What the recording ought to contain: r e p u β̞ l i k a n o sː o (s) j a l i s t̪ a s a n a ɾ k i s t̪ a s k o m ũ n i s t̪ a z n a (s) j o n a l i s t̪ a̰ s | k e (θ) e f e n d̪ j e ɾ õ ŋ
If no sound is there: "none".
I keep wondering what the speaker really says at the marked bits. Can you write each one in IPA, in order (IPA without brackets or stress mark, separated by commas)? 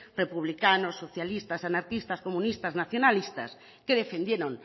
θ, θ, ð